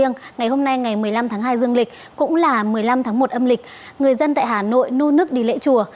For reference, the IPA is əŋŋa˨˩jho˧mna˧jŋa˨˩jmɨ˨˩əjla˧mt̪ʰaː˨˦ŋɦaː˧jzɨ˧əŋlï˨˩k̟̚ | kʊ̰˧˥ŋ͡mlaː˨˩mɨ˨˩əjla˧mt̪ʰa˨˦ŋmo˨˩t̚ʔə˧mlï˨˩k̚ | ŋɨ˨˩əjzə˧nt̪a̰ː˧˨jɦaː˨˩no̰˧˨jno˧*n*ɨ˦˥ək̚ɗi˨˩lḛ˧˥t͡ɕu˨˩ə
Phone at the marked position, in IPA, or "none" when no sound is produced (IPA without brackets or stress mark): n